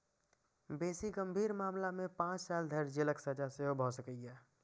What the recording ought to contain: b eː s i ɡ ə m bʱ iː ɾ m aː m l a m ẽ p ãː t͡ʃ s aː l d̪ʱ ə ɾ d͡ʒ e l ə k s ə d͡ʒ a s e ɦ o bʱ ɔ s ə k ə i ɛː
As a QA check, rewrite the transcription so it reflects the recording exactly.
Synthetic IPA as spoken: b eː s i ɡ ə m bʱ iː ɾ m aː m l a m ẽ p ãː t͡ʃ s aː l d̪ʱ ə ɾ d͡ʒ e l ə k s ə d͡ʒ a s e ɦ o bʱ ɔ s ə k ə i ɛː